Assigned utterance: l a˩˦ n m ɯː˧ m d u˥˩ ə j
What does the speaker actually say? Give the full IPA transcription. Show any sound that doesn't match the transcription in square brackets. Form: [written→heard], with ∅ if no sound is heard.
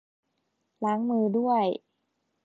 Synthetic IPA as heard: l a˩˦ [n→ŋ] m ɯː˧ [m→∅] d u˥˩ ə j